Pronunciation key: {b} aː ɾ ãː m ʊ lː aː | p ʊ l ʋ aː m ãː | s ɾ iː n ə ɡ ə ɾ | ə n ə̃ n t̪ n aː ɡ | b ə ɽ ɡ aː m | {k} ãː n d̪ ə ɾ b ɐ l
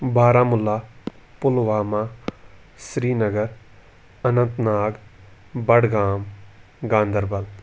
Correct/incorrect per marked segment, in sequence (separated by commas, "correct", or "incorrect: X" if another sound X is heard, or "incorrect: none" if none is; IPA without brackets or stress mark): correct, incorrect: ɡ